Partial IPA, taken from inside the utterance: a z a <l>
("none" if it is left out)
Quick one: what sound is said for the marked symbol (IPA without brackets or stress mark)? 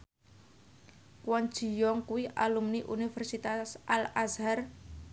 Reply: r